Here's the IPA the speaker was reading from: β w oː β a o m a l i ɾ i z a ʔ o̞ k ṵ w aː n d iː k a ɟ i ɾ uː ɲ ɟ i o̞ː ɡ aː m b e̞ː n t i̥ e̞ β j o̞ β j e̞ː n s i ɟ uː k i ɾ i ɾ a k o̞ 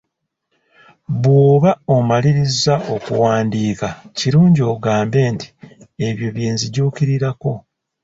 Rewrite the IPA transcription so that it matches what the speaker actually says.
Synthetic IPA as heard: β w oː β a o m a l i ɾ i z a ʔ o̞ k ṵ w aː n d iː k a c i ɾ uː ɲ ɟ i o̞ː ɡ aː m b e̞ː n t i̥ e̞ β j o̞ β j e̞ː n z i ɟ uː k i ɾ i ɾ a k o̞